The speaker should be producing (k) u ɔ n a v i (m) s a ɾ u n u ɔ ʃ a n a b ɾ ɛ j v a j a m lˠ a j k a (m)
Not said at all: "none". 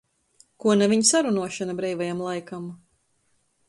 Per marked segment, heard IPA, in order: k, ɲ, m

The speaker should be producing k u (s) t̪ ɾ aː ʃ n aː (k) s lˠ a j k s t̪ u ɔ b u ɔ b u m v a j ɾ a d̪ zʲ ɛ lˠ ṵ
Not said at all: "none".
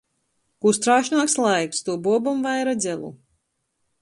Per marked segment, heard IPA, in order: s, k

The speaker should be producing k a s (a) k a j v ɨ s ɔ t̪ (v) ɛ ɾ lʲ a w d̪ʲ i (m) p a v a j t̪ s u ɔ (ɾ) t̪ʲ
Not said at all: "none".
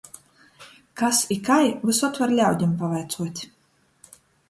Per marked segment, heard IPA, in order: i, v, m, none

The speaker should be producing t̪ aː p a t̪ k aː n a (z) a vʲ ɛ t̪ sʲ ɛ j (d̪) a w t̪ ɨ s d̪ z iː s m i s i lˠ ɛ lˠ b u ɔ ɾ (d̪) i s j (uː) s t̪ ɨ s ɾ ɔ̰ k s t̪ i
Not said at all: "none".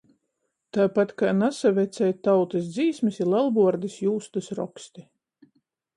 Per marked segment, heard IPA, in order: s, t̪, d̪, uː

